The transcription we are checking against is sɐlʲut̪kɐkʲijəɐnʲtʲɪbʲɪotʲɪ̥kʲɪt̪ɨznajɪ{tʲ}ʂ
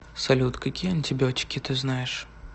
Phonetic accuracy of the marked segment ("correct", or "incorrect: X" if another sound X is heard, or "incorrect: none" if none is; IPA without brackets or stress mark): incorrect: none